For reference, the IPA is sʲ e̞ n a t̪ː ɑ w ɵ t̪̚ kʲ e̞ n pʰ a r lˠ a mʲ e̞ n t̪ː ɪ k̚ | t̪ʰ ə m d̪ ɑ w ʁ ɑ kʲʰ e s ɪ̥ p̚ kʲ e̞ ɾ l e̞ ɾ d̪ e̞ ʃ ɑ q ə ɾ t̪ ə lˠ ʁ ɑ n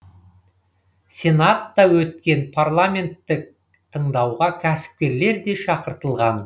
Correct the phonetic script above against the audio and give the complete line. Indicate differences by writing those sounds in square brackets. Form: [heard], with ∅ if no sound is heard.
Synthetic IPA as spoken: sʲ e̞ n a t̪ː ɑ w ɵ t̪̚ kʲ e̞ n pʰ a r lˠ a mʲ e̞ n t̪ː ɪ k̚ | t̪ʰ ə [ɴ] d̪ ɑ w ʁ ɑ kʲʰ [æ] s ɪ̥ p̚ kʲ e̞ ɾ l e̞ ɾ d̪ e̞ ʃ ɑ q ə ɾ t̪ ə lˠ ʁ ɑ n